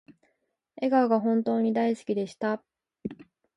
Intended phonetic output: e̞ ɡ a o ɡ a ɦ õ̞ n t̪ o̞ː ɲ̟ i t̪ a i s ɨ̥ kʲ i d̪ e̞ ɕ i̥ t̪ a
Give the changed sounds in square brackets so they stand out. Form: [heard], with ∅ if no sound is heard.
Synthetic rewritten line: e̞ ɡ a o ɡ a ɦ õ̞ n t̪ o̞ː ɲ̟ i [d̪] a i s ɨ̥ kʲ i d̪ e̞ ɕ i̥ t̪ a

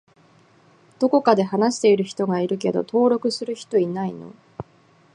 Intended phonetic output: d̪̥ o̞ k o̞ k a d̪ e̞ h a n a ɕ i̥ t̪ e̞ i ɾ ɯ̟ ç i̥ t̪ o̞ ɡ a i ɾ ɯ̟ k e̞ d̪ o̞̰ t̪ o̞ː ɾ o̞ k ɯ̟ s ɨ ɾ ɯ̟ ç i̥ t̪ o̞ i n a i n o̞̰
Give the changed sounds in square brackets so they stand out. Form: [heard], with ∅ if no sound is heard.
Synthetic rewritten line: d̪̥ o̞ k o̞ k a d̪ e̞ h a n a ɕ i̥ t̪ e̞ i ɾ ɯ̟ ç i̥ t̪ o̞ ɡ a i ɾ ɯ̟ k e̞ d̪ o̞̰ t̪ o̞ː ɾ o̞ k ɯ̟ s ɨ ɾ ɯ̟ ç i̥ t̪ o̞ i n a i n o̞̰

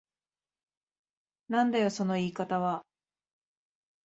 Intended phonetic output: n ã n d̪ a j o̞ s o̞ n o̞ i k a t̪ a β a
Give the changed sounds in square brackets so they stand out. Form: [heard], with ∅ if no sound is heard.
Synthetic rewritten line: n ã n d̪ a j o̞ s o̞ n o̞ [iː] k a t̪ a β a

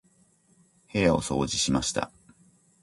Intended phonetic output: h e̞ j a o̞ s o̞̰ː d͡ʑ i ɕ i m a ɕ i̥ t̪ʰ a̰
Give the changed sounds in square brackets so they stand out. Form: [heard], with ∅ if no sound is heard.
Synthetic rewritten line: h e̞ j a o̞ s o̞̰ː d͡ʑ i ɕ i m a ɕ i̥ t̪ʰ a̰

